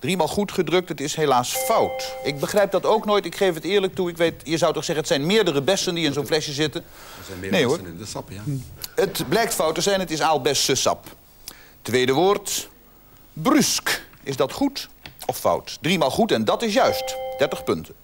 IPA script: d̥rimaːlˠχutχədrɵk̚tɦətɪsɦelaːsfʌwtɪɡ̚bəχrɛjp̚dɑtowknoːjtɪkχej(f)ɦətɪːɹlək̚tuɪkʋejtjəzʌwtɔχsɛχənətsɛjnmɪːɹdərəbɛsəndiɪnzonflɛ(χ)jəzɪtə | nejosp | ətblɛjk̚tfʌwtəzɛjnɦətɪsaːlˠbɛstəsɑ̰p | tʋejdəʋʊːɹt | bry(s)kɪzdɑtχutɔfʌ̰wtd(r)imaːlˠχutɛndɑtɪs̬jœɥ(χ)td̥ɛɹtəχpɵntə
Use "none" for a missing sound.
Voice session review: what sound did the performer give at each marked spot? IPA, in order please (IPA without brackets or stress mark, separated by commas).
f, ʃ, s, r, s